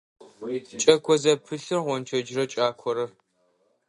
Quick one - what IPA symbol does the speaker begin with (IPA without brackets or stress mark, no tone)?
t͡ʃʼ